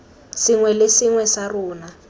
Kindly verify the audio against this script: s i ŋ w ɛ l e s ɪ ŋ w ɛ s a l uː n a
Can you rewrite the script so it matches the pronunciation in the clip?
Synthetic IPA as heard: s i ŋ w ɛ l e s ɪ ŋ w ɛ s a r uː n a